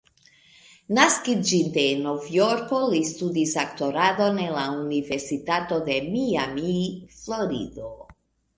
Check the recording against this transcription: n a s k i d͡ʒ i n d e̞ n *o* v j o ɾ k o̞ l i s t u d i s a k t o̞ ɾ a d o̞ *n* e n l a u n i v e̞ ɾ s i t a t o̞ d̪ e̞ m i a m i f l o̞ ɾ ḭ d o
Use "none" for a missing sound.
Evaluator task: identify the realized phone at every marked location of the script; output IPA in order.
o, n

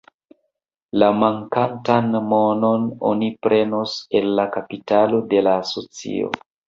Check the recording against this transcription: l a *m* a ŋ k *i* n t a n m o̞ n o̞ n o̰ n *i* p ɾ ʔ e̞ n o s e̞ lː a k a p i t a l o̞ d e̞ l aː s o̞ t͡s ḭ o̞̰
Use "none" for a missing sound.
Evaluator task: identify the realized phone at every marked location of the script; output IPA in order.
m, a, i

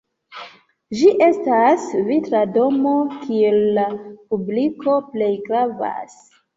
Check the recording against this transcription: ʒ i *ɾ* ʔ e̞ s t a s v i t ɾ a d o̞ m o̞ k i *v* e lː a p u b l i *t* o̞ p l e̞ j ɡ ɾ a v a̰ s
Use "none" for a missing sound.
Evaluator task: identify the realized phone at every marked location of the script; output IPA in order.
none, none, k

